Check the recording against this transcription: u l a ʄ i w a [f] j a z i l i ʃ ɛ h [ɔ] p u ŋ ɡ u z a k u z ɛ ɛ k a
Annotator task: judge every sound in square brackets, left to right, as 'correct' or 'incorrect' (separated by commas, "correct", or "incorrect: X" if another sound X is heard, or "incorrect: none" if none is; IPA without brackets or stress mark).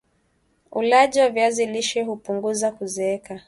incorrect: v, incorrect: u